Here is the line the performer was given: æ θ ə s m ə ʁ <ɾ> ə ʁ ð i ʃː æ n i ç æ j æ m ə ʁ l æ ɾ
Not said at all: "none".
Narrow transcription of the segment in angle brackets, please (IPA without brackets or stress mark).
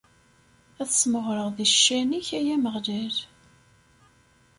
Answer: ɾ